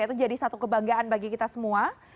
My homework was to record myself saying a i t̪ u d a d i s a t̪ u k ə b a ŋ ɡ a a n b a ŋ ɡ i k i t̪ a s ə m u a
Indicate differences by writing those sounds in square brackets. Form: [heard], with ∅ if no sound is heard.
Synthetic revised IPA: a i t̪ u [d͡ʒ] a d i s a t̪ u k ə b a ŋ ɡ a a n b a [∅] ɡ i k i t̪ a s ə m u a